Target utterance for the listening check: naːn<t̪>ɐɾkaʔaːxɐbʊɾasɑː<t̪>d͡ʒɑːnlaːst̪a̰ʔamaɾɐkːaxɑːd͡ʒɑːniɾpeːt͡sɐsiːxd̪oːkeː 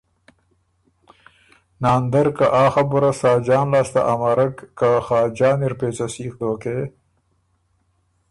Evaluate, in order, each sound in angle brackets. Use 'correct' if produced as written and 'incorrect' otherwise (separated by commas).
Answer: incorrect, incorrect